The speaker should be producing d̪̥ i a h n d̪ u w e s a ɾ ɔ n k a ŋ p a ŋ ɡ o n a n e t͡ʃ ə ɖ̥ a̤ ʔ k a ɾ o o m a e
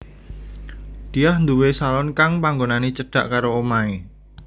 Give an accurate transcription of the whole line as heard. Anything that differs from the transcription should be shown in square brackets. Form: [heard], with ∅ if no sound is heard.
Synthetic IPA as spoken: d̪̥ i a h n d̪ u w e s a [l] ɔ n k a ŋ p a ŋ ɡ o n a n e t͡ʃ ə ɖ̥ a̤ ʔ k a ɾ o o m a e